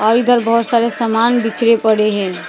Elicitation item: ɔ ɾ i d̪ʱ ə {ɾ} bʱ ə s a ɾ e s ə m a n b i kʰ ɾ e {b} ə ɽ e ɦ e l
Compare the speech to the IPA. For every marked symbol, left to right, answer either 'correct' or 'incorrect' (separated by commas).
correct, incorrect